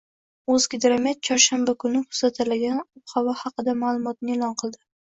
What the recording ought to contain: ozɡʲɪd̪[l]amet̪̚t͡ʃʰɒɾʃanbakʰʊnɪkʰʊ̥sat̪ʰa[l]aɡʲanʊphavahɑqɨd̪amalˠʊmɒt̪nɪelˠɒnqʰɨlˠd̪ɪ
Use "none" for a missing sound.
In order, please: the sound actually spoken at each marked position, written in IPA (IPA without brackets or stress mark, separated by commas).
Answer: ɾ, l